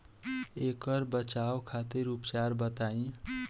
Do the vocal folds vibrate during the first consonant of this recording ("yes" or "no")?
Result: no